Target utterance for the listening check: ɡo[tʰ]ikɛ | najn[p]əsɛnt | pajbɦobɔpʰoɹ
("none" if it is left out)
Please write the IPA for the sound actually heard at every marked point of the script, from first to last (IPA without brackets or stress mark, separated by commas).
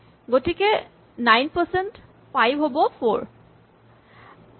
t, p